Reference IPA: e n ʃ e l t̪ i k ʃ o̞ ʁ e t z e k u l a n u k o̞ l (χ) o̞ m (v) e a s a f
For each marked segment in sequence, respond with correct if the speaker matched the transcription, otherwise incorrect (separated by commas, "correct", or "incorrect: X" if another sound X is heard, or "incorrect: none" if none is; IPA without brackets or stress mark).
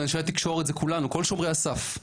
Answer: incorrect: ʃ, incorrect: ʁ